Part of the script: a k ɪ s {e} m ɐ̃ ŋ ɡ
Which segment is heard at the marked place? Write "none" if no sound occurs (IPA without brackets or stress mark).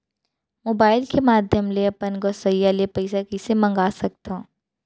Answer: e